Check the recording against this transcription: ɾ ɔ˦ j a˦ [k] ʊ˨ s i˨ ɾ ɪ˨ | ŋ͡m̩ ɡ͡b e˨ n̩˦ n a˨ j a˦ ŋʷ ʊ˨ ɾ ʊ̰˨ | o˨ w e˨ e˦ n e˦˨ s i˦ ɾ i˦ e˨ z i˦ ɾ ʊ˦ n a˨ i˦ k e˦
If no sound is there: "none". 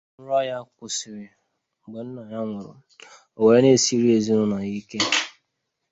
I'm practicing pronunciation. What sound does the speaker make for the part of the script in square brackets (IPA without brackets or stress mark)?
k